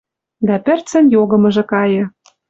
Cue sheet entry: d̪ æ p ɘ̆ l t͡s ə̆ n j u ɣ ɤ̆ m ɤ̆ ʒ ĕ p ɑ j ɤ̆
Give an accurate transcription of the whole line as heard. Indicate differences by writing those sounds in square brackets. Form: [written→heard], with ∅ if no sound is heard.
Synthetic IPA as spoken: d̪ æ p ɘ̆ [l→r] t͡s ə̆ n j [u→o] ɣ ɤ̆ m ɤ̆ ʒ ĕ [p→k] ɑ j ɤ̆